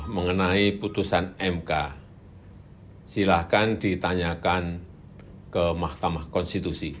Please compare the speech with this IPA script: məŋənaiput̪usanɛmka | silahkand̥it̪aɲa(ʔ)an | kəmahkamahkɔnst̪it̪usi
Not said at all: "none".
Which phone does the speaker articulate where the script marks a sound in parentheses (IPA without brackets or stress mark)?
k